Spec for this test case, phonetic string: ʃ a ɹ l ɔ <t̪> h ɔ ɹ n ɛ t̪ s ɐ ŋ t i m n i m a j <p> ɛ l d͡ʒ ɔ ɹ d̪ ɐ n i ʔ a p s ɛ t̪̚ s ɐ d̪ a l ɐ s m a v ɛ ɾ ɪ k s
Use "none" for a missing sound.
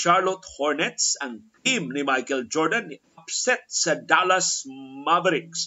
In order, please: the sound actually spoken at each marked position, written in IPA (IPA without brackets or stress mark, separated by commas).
t̪, k